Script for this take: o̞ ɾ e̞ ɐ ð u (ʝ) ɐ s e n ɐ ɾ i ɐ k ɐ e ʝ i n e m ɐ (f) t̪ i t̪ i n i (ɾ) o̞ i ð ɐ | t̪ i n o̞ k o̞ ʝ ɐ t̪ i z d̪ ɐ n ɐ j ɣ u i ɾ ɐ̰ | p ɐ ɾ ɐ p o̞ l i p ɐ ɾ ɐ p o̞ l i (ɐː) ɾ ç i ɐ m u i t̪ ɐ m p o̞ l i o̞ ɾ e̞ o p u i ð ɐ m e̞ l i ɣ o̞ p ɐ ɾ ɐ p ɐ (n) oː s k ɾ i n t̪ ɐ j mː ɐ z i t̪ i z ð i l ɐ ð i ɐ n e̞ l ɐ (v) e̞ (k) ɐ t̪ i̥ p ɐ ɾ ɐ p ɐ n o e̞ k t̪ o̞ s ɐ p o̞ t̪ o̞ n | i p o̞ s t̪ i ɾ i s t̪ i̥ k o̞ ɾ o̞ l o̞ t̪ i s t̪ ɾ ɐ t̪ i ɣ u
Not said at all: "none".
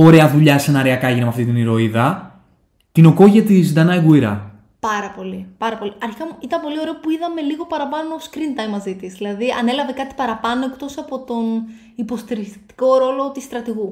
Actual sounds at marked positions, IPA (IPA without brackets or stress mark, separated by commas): ʎ, f, ɾ, ɐ, n, v, k